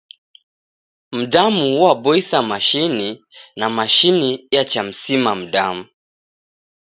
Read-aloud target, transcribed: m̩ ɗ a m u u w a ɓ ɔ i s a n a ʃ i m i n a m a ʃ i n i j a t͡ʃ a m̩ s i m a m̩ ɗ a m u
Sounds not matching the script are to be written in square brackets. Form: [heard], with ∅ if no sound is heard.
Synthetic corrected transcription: m̩ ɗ a m u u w a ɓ ɔ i s a [m] a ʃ i [n] i n a m a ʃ i n i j a t͡ʃ a m̩ s i m a m̩ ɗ a m u